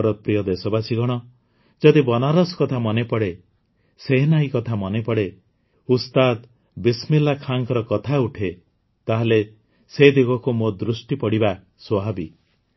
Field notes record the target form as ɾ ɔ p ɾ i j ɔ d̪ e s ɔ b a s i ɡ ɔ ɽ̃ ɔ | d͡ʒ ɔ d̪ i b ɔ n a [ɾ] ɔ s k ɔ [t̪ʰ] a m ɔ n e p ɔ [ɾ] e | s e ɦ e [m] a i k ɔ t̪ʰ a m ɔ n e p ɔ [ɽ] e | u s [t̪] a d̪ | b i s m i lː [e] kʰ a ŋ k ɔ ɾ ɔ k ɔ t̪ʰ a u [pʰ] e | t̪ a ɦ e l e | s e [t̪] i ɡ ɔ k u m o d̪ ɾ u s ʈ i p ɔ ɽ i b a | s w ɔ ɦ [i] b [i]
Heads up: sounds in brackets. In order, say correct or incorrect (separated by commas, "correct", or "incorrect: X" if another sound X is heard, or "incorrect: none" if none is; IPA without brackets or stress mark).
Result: correct, correct, incorrect: ɽ, incorrect: n, correct, correct, incorrect: a, incorrect: ʈʰ, incorrect: d̪, incorrect: a, correct